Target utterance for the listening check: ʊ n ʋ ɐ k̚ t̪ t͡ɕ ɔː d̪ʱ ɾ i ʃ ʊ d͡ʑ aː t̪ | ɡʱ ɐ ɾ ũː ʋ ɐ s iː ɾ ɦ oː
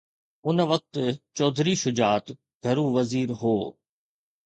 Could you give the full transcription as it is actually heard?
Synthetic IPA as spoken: ʊ n ʋ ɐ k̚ t̪ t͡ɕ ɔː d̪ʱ ɾ i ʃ ʊ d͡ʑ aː t̪ | ɡʱ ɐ ɾ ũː ʋ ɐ z iː ɾ ɦ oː